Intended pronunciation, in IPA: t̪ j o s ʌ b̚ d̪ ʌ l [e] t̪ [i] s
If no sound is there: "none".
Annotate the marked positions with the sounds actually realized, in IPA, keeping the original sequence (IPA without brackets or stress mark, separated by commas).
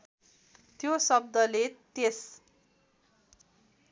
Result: e, e